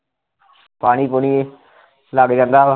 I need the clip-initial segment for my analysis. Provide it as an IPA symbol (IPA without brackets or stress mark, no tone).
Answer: p